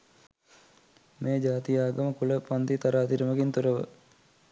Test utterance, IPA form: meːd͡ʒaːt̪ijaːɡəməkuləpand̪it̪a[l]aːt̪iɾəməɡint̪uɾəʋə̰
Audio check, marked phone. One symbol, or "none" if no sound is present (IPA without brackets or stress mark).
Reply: ɾ